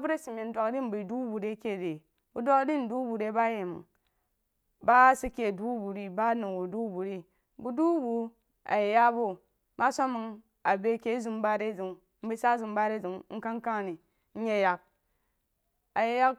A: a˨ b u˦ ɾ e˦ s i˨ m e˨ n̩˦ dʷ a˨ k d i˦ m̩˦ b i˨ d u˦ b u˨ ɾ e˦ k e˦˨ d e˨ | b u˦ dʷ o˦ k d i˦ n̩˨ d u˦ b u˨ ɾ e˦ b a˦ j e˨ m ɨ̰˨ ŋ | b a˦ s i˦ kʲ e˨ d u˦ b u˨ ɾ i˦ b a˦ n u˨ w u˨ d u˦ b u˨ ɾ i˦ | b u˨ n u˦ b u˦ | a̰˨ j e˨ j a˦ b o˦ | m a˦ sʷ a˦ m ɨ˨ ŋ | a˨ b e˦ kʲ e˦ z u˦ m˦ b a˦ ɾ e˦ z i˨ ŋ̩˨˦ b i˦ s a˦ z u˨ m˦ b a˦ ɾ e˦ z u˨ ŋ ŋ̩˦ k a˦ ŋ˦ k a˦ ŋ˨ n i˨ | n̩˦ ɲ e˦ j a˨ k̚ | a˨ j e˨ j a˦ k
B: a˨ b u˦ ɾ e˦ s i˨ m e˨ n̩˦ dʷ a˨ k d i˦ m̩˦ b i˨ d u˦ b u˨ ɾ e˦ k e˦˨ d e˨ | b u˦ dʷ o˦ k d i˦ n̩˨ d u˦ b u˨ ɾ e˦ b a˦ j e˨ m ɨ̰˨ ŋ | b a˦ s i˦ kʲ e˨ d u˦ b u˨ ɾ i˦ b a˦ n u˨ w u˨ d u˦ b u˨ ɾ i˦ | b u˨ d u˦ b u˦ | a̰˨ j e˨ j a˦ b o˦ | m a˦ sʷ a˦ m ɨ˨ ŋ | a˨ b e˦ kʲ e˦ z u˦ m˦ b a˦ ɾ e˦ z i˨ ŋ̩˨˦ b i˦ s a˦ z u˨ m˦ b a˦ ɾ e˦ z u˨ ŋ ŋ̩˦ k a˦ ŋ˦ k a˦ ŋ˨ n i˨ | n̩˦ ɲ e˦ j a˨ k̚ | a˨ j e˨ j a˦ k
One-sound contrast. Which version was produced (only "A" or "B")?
B